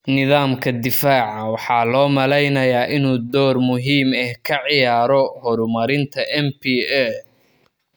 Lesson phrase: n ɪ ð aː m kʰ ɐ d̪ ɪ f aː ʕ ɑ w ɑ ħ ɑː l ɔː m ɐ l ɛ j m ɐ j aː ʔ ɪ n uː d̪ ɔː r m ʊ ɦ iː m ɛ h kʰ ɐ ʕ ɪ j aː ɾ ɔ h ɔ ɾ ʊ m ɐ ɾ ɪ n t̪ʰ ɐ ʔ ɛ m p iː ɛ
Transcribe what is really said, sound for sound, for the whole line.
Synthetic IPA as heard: n ɪ ð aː m kʰ ɐ d̪ ɪ f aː ʕ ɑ w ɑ ħ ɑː l ɔː m ɐ l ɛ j n ɐ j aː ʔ ɪ n uː d̪ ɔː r m ʊ ɦ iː m ɛ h kʰ ɐ ʕ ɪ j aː ɾ ɔ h ɔ ɾ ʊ m ɐ ɾ ɪ n t̪ʰ ɐ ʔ ɛ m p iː ɛ